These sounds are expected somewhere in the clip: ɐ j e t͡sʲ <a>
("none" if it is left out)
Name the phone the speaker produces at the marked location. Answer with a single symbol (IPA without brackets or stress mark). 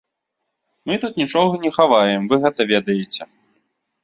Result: ɛ